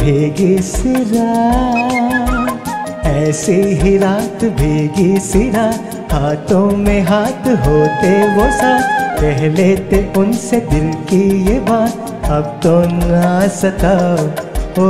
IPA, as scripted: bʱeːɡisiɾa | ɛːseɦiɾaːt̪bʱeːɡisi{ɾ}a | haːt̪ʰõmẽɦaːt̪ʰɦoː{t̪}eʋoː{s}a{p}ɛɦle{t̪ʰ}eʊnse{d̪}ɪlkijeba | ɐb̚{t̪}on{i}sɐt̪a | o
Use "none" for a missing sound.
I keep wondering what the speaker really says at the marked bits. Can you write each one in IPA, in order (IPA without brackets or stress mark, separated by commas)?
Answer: ɾ, t̪, s, p, t̪, d̪, t̪, a